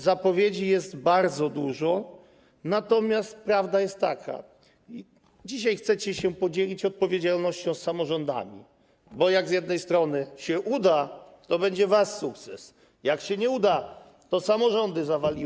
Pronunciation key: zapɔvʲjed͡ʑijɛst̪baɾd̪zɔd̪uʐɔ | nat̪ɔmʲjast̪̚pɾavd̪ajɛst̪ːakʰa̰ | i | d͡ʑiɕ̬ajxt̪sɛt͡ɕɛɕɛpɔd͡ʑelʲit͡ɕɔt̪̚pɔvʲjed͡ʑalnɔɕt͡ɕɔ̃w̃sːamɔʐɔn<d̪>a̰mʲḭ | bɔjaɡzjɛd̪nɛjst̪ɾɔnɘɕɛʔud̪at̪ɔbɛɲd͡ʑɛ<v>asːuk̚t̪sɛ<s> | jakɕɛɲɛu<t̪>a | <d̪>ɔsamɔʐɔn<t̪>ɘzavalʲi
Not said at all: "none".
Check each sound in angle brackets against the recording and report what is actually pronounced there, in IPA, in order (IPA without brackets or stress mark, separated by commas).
d̪, v, s, d̪, t̪, d̪